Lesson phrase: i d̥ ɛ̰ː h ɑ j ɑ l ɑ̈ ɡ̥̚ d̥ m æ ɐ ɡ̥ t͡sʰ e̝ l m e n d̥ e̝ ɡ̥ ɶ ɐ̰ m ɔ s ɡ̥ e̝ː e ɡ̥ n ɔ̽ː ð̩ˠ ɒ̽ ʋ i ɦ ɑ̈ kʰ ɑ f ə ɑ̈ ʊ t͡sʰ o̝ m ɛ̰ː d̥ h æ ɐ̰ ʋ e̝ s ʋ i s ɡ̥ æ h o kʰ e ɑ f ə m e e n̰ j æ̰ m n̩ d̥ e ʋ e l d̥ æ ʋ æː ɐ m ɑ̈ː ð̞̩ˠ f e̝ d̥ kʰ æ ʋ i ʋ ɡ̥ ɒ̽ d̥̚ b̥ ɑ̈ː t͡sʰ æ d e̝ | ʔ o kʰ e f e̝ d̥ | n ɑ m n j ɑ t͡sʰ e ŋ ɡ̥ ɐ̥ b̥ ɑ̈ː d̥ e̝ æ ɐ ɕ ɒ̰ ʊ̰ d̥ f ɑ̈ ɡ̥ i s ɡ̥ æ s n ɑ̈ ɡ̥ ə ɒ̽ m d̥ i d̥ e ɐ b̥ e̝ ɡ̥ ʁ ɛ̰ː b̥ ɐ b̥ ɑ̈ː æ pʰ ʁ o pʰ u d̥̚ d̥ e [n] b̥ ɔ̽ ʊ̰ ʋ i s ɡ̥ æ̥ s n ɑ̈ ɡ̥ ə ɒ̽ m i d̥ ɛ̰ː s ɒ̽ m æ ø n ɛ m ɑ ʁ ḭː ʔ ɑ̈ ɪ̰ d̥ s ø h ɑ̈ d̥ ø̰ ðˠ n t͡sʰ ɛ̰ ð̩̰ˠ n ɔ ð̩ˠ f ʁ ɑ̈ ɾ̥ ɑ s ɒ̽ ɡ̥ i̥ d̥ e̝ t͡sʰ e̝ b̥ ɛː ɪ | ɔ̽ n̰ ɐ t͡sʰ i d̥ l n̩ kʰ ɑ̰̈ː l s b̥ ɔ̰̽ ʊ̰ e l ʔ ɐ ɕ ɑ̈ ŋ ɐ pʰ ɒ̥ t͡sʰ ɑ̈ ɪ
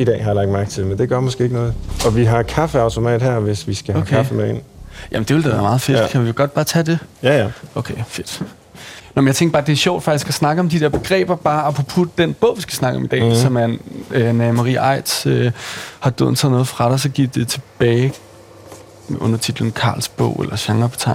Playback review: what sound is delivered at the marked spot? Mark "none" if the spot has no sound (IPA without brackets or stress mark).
n